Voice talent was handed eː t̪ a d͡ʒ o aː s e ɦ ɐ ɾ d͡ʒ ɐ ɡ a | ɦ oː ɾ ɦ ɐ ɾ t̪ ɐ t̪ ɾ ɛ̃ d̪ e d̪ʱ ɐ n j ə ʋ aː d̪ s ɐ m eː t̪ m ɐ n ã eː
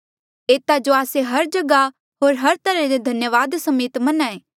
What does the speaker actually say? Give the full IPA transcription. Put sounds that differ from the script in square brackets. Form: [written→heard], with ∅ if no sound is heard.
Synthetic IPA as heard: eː t̪ a d͡ʒ o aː s e ɦ ɐ ɾ d͡ʒ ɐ ɡ a | ɦ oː ɾ ɦ ɐ ɾ t̪ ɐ [t̪→∅] ɾ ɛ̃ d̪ e d̪ʱ ɐ n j ə ʋ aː d̪ s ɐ m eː t̪ m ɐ n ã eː